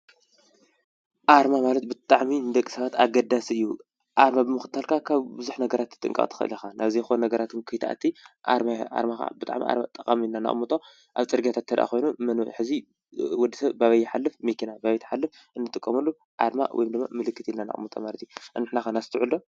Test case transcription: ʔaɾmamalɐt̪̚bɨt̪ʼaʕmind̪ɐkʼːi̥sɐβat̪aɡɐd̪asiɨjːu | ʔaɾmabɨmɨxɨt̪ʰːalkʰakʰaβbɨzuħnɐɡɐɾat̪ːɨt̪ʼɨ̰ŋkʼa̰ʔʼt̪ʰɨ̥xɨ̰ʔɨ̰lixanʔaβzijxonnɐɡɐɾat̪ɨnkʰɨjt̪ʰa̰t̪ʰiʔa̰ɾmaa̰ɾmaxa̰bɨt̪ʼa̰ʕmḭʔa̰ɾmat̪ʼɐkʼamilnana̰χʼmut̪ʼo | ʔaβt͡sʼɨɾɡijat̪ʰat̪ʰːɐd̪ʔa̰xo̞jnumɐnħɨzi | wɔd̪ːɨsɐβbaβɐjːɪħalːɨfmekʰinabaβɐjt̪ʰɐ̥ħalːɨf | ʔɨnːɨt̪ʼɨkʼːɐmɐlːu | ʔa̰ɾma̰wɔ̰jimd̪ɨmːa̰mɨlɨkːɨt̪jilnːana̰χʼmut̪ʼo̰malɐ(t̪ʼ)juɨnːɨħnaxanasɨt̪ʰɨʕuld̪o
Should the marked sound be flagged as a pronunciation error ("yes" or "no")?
yes